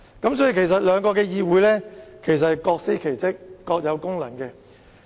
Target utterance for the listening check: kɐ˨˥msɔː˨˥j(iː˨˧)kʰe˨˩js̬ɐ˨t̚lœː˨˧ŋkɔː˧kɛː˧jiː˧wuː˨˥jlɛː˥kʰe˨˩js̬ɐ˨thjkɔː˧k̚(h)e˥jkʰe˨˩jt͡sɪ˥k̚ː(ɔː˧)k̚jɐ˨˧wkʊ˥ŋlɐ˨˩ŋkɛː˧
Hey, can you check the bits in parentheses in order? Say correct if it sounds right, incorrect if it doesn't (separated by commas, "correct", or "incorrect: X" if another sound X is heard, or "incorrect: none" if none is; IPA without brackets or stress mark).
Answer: incorrect: i˨˧, incorrect: s, correct